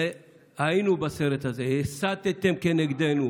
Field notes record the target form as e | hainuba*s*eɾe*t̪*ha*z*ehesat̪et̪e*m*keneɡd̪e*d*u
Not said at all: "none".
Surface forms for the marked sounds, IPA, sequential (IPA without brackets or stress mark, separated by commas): s, t̪, z, m, n